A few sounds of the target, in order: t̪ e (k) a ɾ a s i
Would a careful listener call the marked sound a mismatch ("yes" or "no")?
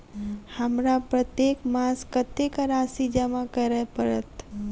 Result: no